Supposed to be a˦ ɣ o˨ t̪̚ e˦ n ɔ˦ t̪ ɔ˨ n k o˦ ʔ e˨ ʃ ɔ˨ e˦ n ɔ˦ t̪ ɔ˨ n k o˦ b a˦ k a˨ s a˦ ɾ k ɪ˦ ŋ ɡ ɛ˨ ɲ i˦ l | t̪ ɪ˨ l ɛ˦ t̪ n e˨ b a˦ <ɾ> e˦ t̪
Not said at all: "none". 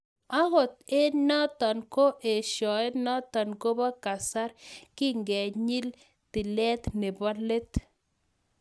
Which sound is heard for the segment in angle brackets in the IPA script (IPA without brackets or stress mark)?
l